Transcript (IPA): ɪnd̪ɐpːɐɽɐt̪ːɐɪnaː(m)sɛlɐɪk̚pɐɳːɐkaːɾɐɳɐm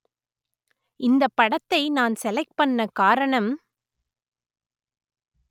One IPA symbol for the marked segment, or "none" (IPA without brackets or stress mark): n